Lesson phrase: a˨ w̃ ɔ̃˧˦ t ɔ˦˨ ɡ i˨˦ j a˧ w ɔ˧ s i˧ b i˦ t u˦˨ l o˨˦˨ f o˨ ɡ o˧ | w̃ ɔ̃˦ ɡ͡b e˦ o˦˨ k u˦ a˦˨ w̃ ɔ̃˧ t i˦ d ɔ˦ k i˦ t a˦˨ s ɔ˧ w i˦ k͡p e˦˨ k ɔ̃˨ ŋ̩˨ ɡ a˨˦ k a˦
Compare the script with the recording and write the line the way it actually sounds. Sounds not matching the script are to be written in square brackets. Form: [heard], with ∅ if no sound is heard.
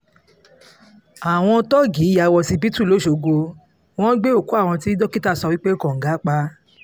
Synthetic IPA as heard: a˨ w̃ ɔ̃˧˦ t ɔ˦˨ ɡ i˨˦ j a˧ w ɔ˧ s i˧ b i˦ t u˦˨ l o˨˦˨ [ʃ] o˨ ɡ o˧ | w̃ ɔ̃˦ ɡ͡b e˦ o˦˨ k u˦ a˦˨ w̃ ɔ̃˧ t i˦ d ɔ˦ k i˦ t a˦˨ s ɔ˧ w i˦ k͡p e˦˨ k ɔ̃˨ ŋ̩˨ ɡ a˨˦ [k͡p] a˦